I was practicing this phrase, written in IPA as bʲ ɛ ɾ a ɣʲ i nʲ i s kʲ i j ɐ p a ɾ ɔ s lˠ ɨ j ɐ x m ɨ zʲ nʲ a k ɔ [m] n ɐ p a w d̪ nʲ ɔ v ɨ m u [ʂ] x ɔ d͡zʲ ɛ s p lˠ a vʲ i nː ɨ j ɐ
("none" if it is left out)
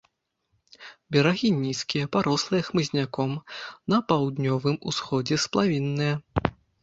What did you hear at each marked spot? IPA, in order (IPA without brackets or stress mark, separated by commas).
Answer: m, s